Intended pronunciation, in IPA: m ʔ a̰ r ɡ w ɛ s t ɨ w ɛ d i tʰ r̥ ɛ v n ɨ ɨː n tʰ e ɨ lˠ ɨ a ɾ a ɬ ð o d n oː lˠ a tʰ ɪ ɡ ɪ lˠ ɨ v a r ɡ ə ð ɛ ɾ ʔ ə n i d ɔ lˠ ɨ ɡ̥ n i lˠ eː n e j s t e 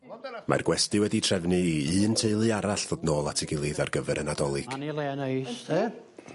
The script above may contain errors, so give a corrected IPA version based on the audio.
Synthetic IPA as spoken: m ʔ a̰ r ɡ w ɛ s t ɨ w ɛ d i tʰ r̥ ɛ v n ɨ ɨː n tʰ e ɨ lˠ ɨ a ɾ a ɬ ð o d n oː lˠ a tʰ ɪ ɡ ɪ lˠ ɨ ð a r ɡ ə v ɛ ɾ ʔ ə n a d ɔ lˠ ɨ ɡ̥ n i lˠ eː n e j s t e